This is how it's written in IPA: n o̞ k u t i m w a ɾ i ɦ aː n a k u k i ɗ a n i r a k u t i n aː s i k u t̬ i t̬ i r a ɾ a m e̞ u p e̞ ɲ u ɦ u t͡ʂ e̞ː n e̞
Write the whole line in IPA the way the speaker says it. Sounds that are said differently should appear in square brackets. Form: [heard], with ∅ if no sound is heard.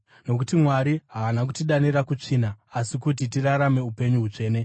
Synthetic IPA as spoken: n o̞ k u t i m w a ɾ i ɦ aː n a k u [t] i ɗ a n i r a k u [t͡ʂ] i n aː s i k u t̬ i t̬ i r a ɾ a m e̞ u p e̞ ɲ u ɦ u t͡ʂ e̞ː n e̞